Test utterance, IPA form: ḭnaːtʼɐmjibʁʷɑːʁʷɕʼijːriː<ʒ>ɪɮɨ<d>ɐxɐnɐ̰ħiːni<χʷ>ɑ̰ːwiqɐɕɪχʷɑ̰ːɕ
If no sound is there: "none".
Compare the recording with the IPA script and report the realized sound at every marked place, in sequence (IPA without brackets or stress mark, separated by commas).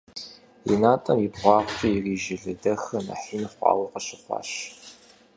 ʒ, d, χʷ